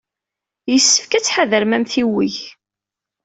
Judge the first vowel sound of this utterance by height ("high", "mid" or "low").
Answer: mid